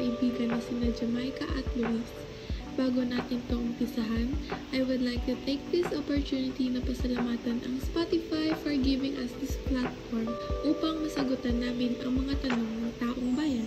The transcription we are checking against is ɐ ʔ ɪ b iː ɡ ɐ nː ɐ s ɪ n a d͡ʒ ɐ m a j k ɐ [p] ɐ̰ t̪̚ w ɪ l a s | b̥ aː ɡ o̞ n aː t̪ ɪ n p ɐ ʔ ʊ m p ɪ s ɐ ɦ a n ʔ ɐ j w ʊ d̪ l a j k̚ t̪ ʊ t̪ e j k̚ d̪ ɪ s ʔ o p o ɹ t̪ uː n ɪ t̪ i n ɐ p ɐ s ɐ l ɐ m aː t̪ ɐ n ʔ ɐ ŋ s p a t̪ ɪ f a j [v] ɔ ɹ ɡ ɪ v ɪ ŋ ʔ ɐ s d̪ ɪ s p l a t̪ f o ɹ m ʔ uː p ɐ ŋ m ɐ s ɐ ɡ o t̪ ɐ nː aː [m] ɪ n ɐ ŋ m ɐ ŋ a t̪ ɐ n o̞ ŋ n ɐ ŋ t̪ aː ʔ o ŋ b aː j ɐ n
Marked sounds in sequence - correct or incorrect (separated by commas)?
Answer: incorrect, incorrect, correct